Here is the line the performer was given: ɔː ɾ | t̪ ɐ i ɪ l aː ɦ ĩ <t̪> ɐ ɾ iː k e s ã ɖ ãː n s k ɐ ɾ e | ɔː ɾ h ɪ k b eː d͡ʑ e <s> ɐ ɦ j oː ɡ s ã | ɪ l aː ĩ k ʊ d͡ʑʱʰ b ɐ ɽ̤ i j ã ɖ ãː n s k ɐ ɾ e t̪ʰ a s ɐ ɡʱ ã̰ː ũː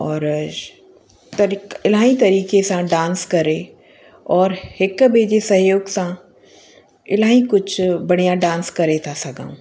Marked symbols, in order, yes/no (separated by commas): yes, yes